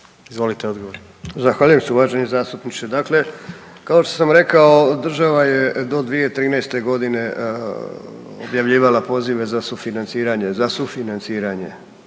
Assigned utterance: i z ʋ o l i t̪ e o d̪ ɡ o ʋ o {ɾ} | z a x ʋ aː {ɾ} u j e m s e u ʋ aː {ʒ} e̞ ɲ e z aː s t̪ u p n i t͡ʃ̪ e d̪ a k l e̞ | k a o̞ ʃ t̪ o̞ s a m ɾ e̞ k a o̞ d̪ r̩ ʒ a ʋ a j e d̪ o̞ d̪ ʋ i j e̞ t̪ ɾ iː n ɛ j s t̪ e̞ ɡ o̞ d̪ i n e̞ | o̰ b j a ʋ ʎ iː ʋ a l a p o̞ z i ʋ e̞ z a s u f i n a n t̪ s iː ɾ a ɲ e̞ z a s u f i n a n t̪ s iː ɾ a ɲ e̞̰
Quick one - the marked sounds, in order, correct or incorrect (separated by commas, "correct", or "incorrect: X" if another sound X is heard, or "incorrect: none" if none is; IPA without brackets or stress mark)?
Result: correct, incorrect: ʎ, correct